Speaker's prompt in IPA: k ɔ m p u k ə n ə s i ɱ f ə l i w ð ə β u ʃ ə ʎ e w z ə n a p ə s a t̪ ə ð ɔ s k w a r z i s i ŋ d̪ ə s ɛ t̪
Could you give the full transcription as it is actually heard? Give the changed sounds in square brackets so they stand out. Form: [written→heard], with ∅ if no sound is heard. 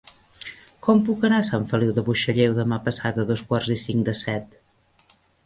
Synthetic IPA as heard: k ɔ m p u k ə n [ə→a] s [i→a] ɱ f ə l i w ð ə β u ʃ ə ʎ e w [z→ð] ə [n→m] a p ə s a t̪ ə ð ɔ s k w a r z i s i ŋ d̪ ə s ɛ t̪

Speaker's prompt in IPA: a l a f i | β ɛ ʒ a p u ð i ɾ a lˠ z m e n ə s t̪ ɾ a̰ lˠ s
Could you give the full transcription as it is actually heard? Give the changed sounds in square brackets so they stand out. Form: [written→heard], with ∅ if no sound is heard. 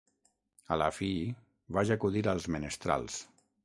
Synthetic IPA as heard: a l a f i | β [ɛ→a] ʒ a [p→k] u ð i ɾ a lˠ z m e n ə s t̪ ɾ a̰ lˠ s

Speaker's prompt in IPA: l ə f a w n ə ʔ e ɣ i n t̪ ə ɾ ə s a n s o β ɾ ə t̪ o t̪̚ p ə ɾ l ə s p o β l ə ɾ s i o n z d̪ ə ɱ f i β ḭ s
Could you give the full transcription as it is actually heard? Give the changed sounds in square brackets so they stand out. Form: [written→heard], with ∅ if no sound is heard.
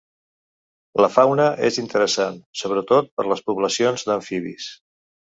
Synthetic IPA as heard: l ə f a w n ə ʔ e [ɣ→z] i n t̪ ə ɾ ə s a n s o β ɾ ə t̪ o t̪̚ p ə ɾ l ə s p [o→u] β l ə [ɾ→∅] s i o n z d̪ ə ɱ f i β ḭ s

